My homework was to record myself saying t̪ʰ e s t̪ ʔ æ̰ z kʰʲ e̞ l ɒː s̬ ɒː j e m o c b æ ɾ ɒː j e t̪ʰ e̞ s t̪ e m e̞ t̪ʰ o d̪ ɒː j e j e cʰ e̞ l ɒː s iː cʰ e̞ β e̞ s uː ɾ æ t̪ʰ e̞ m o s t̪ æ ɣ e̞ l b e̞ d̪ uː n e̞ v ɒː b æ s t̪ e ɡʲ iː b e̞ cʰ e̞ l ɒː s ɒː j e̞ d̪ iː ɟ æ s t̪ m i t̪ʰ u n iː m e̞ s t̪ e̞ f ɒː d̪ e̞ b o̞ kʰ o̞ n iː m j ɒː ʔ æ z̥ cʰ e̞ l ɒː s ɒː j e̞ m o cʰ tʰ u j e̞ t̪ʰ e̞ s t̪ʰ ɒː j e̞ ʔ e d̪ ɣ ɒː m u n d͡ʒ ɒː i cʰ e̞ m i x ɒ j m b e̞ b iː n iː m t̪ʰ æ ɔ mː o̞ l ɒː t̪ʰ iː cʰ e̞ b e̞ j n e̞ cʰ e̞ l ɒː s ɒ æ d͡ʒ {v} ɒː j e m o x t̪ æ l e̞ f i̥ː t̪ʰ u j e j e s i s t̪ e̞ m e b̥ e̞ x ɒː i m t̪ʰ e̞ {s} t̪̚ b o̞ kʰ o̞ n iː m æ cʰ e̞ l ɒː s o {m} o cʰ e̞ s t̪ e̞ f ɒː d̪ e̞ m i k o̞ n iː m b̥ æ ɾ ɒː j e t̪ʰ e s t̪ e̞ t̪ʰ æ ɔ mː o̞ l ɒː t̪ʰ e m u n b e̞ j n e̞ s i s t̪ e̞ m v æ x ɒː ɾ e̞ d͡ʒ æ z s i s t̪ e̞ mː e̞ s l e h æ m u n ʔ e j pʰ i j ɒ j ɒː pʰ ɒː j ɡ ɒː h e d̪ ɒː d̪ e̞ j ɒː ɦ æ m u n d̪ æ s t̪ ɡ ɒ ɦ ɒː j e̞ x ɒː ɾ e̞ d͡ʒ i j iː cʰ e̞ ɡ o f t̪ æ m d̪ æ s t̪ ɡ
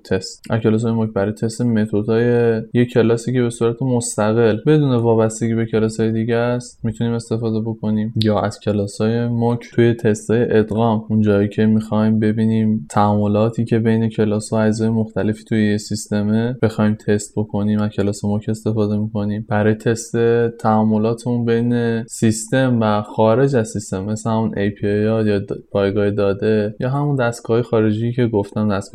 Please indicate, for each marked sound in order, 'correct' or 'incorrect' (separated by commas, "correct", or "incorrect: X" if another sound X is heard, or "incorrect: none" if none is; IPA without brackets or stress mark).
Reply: incorrect: z, correct, correct